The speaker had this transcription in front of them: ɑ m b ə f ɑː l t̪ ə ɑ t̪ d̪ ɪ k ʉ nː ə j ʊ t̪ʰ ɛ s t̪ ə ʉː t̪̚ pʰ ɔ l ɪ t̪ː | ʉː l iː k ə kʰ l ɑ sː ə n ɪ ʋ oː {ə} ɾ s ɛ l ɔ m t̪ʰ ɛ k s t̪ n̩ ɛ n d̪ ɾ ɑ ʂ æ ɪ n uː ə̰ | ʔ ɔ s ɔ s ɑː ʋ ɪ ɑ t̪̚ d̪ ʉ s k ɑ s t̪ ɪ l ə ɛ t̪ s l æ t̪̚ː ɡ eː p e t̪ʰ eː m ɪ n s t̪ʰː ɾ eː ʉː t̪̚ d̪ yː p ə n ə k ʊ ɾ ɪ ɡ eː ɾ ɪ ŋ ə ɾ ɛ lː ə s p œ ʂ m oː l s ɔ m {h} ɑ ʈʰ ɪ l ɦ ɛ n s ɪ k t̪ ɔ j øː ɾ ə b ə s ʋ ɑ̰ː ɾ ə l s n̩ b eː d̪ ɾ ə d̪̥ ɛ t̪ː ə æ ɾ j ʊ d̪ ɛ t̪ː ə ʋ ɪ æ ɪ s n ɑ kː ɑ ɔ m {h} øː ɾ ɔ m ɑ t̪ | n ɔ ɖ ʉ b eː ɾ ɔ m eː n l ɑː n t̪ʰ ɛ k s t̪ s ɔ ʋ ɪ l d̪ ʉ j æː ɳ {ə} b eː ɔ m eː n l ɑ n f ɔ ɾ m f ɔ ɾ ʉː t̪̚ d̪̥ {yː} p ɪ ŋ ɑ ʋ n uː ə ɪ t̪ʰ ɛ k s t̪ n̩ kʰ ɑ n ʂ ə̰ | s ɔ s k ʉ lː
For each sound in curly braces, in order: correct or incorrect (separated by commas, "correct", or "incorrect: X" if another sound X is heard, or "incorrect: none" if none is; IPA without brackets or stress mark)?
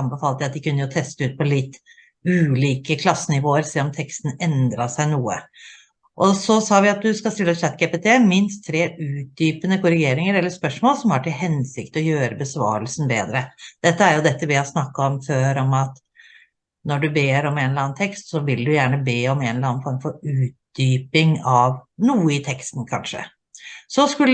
correct, correct, incorrect: f, correct, correct